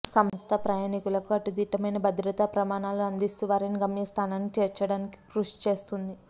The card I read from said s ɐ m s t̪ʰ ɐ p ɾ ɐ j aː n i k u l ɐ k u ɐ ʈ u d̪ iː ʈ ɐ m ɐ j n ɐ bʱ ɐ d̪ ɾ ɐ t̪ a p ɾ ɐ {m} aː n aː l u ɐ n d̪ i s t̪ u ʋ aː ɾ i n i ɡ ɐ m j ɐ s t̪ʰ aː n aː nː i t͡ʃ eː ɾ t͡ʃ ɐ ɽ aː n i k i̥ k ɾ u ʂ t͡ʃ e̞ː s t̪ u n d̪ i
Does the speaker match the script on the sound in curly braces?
yes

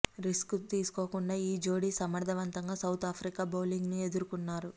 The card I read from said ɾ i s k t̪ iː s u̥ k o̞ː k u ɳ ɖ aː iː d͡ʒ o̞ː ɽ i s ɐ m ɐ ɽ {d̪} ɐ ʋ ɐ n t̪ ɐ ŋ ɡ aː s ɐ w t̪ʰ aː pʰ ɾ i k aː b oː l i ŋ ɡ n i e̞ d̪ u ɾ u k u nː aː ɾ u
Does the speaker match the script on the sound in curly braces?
yes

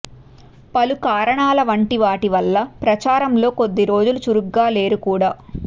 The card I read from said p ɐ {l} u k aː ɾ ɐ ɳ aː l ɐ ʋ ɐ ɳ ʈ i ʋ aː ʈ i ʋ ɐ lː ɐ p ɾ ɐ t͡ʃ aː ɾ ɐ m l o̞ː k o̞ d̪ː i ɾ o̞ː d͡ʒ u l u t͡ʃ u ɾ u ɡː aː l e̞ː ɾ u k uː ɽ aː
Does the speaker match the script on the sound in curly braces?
yes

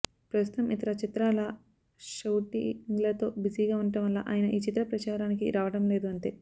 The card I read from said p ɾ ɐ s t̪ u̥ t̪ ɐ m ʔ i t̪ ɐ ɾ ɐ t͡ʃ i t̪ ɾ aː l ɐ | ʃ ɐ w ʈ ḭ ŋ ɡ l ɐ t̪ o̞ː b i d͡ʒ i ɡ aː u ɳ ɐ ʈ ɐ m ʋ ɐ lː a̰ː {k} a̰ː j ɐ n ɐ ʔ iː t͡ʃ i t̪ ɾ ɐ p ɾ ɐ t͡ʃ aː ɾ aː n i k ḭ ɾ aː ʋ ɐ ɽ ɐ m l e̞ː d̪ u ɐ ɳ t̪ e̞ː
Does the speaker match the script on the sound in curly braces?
no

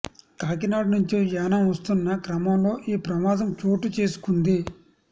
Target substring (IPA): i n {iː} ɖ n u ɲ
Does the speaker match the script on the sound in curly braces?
no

